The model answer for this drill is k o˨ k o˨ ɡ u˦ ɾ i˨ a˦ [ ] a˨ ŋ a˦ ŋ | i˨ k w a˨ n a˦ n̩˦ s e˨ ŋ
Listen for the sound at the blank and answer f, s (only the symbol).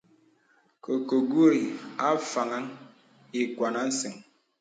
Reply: f